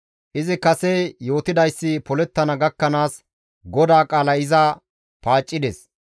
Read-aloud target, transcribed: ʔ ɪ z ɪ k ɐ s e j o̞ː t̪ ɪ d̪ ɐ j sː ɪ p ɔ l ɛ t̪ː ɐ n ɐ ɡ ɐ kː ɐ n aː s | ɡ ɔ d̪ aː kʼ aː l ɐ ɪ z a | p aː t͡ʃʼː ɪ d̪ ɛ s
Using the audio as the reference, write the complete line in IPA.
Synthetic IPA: ʔ ɪ z ɪ k ɐ s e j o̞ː t̪ ɪ d̪ ɐ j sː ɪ p ɔ l ɛ t̪ː ɐ n ɐ ɡ ɐ kː ɐ n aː s | ɡ ɔ d̪ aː kʼ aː l ɐ ɪ z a | p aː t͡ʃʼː ɪ d̪ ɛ s